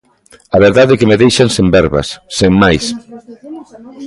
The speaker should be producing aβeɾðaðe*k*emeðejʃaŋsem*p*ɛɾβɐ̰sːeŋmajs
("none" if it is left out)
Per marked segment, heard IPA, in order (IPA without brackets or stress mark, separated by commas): k, b